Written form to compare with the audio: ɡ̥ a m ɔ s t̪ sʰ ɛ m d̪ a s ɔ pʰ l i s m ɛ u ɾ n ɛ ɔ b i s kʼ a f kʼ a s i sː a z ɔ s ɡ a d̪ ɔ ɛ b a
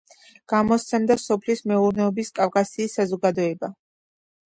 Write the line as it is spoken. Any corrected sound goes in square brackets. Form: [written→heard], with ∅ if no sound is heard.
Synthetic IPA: ɡ̥ a m ɔ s t̪ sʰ ɛ m d̪ a s ɔ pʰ l i s m ɛ u ɾ n ɛ ɔ b i s kʼ a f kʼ a s [i→iː] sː a z ɔ [s→∅] ɡ a d̪ ɔ ɛ b a

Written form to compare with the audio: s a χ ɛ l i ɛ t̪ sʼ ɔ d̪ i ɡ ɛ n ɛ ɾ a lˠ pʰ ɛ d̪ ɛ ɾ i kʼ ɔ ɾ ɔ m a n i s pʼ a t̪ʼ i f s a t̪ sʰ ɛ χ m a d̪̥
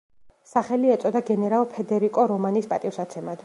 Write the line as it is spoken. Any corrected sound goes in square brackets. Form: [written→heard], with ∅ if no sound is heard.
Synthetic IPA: s a χ ɛ l i ɛ t̪ sʼ ɔ d̪ [i→a] ɡ ɛ n ɛ ɾ a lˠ pʰ ɛ d̪ ɛ ɾ i kʼ ɔ ɾ ɔ m a n i s pʼ a t̪ʼ i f s a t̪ sʰ ɛ [χ→∅] m a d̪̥

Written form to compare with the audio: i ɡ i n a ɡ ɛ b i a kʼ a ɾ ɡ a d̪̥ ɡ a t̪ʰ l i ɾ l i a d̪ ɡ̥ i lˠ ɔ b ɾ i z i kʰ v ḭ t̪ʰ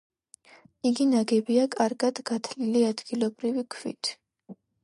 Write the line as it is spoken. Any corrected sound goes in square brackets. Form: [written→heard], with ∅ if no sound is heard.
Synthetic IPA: i ɡ i n a ɡ ɛ b i a kʼ a ɾ ɡ a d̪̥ ɡ a t̪ʰ l i [ɾ→∅] l i a d̪ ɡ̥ i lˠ ɔ b ɾ i [z→v] i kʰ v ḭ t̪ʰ

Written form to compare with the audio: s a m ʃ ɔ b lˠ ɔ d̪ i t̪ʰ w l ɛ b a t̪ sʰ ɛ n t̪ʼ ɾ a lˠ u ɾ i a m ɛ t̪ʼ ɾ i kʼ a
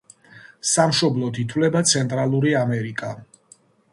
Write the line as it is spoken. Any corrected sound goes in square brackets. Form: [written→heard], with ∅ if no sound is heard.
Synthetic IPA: s a m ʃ ɔ b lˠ ɔ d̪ i t̪ʰ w l ɛ b a t̪ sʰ ɛ n t̪ʼ ɾ a lˠ u ɾ i a m ɛ [t̪ʼ→∅] ɾ i kʼ a

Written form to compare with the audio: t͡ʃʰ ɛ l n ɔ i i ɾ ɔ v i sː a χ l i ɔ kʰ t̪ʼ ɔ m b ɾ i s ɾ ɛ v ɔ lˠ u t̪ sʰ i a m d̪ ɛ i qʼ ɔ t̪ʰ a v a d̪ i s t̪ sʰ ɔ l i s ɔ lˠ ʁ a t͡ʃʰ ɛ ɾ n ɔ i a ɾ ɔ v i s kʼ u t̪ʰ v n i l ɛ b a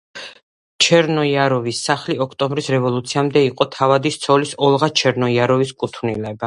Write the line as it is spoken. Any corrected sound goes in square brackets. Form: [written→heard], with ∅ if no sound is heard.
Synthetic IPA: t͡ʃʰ ɛ [l→ɾ] n ɔ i [i→a] ɾ ɔ v i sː a χ l i ɔ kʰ t̪ʼ ɔ m b ɾ i s ɾ ɛ v ɔ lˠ u t̪ sʰ i a m d̪ ɛ i qʼ ɔ t̪ʰ a v a d̪ i s t̪ sʰ ɔ l i s ɔ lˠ ʁ a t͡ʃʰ ɛ ɾ n ɔ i a ɾ ɔ v i s kʼ u t̪ʰ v n i l ɛ b a

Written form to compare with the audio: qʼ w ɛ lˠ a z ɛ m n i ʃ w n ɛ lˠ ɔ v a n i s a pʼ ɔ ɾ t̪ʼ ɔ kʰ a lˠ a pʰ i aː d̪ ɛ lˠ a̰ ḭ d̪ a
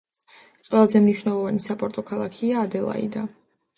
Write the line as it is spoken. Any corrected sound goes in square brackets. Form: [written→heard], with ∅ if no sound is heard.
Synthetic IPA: qʼ w ɛ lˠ a z ɛ m n i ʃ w n ɛ lˠ ɔ v a n i s a pʼ ɔ ɾ t̪ʼ ɔ kʰ a lˠ a [pʰ→kʰ] i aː d̪ ɛ lˠ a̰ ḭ d̪ a

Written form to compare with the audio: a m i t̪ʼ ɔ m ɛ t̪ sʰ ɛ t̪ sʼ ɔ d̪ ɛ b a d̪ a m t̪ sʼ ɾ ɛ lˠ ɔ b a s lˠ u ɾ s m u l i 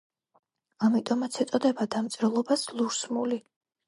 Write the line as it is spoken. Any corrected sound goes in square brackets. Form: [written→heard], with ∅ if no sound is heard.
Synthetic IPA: a m i t̪ʼ ɔ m [ɛ→a] t̪ sʰ ɛ t̪ sʼ ɔ d̪ ɛ b a d̪ a m t̪ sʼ ɾ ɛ lˠ ɔ b a s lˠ u ɾ s m u l i

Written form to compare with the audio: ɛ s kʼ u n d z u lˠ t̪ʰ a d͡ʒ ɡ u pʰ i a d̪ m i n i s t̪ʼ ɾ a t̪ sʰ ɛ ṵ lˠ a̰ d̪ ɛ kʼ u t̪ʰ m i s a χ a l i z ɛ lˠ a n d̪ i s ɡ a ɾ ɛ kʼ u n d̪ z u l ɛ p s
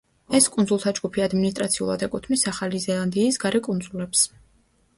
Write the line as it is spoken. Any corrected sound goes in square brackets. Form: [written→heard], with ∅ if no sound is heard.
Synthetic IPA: ɛ s kʼ u n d z u lˠ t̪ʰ a d͡ʒ ɡ u pʰ i a d̪ m i n i s t̪ʼ ɾ a t̪ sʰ [ɛ→i] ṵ lˠ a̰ d̪ ɛ kʼ u t̪ʰ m i s a χ a l i z ɛ lˠ a n d̪ [i→iː] s ɡ a ɾ ɛ kʼ u n d̪ z u l ɛ p s

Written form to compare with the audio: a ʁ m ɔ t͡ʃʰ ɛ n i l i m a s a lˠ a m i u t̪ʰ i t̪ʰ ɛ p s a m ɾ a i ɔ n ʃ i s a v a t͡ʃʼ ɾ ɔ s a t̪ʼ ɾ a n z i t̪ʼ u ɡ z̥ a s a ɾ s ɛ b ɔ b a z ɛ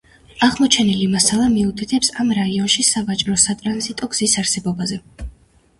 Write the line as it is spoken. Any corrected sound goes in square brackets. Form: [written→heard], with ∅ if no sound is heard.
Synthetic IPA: a ʁ m ɔ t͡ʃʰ ɛ n i l i m a s a lˠ a m i u t̪ʰ i t̪ʰ ɛ p s a m ɾ a i ɔ n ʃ i s a v a t͡ʃʼ ɾ ɔ s a t̪ʼ ɾ a n z i t̪ʼ [u→ɔ] ɡ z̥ [a→i] s a ɾ s ɛ b ɔ b a z ɛ

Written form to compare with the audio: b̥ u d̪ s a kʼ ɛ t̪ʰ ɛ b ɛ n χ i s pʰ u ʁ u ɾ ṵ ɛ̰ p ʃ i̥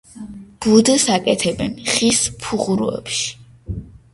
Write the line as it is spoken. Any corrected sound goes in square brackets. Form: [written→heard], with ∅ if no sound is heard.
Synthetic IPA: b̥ u d̪ s a kʼ ɛ t̪ʰ ɛ b ɛ n χ i s pʰ u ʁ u ɾ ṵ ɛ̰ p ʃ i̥

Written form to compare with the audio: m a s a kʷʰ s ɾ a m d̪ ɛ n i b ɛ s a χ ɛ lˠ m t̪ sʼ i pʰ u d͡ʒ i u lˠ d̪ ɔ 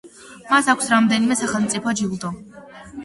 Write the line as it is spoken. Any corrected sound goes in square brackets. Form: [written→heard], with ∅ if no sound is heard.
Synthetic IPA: m a s a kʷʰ s ɾ a m d̪ ɛ n i [b→m] ɛ s a χ ɛ lˠ m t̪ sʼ i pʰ [u→ɔ] d͡ʒ i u lˠ d̪ ɔ

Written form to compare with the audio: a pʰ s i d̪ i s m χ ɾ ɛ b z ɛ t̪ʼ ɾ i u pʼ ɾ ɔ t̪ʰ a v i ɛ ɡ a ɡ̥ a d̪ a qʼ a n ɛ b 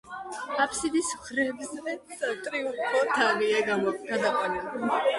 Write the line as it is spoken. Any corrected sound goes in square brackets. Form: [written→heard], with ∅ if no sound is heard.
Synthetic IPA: a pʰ s i d̪ i s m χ ɾ ɛ b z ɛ t̪ʼ ɾ i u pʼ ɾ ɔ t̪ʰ a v i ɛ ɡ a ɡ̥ a d̪ a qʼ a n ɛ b

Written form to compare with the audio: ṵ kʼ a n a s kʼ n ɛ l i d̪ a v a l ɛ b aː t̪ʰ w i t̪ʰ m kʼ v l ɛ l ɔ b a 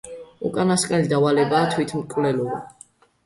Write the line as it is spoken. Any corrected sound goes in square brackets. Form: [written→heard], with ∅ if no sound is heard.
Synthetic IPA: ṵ kʼ a n a s kʼ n ɛ l i d̪ a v a l ɛ b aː t̪ʰ w i t̪ʰ m kʼ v l ɛ l ɔ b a

